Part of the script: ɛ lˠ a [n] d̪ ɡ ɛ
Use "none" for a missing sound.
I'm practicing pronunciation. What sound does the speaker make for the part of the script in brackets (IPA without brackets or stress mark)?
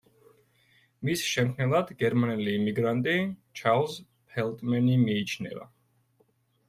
none